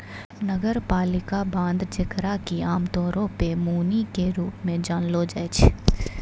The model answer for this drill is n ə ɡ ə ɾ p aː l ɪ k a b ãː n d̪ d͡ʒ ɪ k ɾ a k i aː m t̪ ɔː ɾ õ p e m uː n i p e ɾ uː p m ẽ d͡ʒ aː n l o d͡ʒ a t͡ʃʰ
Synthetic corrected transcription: n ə ɡ ə ɾ p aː l ɪ k a b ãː n d̪ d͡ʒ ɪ k ɾ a k i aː m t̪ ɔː ɾ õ p e m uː n i k e ɾ uː p m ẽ d͡ʒ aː n l o d͡ʒ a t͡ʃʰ